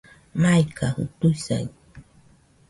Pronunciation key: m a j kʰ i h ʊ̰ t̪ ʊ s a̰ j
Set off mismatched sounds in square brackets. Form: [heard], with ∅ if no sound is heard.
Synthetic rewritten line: m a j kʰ [a] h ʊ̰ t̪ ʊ s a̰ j

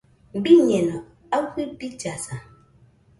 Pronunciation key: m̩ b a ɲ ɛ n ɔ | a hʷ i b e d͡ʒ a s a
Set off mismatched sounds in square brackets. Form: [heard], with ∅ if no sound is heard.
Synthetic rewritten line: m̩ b [i] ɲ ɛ n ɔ | a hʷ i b [i] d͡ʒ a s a

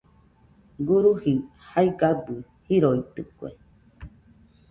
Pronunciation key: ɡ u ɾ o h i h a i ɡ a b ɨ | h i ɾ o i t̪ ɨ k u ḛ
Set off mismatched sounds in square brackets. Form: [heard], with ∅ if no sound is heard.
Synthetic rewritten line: ɡ u ɾ [u] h i h a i ɡ a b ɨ | h i ɾ o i t̪ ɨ k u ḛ

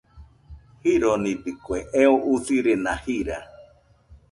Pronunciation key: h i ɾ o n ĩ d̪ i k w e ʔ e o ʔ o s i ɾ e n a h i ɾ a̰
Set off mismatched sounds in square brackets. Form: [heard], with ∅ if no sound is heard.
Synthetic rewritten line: h i ɾ o n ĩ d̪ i k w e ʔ e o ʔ [u] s i ɾ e n a h i ɾ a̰

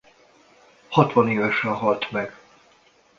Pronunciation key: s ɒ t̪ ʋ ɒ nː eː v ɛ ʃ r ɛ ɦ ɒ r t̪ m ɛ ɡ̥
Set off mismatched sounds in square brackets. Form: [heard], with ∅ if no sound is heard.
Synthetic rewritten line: [h] ɒ t̪ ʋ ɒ [n] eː v ɛ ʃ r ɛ ɦ ɒ [l] t̪ m ɛ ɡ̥

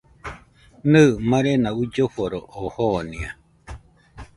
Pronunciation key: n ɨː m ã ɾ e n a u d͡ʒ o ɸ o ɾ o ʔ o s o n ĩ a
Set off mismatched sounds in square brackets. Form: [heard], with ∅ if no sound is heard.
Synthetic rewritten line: n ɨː m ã ɾ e n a u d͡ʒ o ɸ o ɾ o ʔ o [h] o n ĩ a

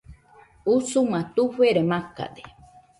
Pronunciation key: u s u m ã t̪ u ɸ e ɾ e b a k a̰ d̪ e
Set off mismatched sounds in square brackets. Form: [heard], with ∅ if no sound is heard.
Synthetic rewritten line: u s u m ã t̪ u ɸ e ɾ e [m] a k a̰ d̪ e

